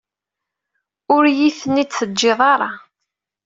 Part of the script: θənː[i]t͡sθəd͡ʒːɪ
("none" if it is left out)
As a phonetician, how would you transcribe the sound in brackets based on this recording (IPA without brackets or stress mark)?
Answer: i